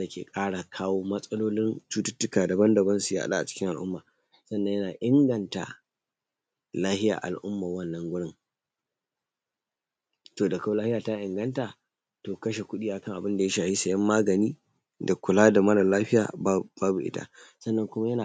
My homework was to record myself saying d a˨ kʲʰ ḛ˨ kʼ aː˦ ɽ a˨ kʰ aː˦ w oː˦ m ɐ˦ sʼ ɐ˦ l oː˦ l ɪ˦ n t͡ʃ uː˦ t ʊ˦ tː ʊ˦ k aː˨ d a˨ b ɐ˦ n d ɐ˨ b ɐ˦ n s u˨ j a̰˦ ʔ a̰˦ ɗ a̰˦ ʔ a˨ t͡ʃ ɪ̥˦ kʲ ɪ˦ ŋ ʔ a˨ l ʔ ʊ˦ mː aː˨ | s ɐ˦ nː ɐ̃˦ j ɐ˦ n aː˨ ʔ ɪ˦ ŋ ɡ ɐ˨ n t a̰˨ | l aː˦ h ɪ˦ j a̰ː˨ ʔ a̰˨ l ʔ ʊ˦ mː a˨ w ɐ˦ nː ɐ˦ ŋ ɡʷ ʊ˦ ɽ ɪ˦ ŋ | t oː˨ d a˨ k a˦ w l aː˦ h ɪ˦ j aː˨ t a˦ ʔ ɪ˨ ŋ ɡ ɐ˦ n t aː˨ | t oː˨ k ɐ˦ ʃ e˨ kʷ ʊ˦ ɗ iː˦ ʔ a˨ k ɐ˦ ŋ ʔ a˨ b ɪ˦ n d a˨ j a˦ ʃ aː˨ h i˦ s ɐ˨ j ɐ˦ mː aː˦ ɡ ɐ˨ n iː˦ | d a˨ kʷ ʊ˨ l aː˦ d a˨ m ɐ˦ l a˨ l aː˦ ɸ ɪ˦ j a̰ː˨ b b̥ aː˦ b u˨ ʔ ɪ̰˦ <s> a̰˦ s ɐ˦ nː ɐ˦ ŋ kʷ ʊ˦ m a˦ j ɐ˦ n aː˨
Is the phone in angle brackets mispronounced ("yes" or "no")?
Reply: yes